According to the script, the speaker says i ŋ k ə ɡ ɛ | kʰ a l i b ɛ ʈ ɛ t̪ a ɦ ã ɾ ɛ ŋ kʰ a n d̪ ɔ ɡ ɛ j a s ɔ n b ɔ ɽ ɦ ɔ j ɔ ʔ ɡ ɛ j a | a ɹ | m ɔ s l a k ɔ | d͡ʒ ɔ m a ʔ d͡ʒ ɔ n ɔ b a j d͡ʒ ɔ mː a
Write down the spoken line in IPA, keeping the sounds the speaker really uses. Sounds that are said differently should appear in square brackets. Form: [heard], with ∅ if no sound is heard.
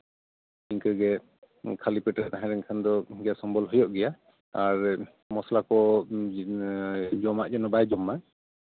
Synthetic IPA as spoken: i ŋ k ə ɡ ɛ | kʰ a l i [p] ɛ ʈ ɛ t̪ a ɦ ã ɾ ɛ ŋ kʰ a n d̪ ɔ ɡ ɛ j a s ɔ [m] b ɔ [l] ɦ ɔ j ɔ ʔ ɡ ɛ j a | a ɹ | m ɔ s l a k ɔ | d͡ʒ ɔ m a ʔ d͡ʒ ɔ n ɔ b a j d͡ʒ ɔ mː a